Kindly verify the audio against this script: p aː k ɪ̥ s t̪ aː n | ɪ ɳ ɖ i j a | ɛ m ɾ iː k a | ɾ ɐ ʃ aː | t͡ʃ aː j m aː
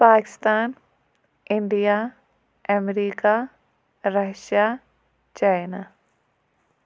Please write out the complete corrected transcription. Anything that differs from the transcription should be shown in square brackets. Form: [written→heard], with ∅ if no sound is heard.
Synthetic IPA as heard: p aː k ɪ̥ s t̪ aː n | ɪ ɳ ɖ i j a | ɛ m ɾ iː k a | ɾ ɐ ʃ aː | t͡ʃ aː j [m→n] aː